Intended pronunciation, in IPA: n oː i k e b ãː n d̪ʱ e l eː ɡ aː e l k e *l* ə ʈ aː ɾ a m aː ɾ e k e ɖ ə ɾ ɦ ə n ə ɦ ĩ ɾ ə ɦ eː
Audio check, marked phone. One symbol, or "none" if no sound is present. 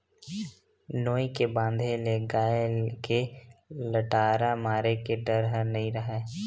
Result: l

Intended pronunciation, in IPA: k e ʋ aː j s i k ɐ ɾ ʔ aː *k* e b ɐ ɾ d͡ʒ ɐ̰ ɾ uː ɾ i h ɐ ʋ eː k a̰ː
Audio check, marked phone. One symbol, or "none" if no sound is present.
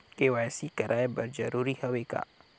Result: none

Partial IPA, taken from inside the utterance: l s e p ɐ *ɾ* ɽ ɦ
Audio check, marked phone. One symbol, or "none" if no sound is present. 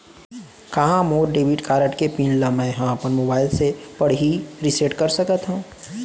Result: none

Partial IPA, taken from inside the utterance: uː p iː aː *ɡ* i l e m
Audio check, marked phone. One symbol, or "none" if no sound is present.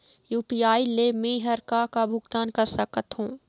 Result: none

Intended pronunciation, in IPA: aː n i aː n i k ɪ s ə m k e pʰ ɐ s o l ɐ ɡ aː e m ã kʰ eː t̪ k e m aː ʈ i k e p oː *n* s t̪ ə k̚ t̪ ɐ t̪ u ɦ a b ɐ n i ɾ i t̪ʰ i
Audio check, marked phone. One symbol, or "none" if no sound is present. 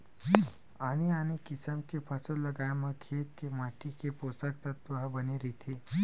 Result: none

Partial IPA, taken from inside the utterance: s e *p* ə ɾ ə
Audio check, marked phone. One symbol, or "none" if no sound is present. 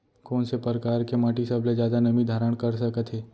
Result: p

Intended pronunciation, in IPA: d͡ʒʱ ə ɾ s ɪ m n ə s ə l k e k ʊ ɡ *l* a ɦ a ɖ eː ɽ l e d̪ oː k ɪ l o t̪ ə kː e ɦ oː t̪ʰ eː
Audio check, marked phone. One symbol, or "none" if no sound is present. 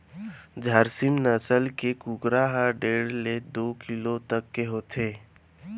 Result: ɾ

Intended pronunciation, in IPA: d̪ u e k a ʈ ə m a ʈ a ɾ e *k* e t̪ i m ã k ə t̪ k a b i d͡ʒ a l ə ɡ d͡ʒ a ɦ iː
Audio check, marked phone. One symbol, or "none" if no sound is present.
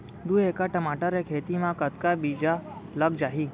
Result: kʰ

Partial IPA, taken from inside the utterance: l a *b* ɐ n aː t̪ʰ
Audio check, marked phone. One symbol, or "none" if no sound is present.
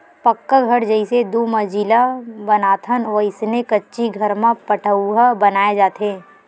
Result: b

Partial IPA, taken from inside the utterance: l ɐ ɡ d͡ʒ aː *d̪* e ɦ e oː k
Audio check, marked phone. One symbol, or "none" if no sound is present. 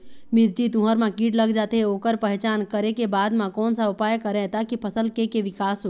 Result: t̪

